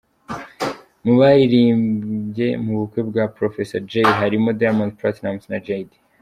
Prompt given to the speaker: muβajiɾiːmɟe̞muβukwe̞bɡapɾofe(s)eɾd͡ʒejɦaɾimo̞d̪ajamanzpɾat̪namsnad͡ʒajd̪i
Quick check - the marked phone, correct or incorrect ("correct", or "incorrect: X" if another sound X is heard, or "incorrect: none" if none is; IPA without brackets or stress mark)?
correct